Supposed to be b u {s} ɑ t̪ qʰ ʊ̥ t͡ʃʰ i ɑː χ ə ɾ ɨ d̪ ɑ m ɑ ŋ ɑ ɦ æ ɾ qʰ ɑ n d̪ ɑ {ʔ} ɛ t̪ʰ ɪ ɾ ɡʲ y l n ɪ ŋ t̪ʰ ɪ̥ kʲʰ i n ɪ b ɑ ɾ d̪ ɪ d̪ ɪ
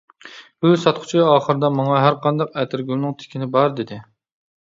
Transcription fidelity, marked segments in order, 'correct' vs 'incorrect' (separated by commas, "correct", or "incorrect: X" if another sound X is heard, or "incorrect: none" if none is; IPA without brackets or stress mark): correct, incorrect: q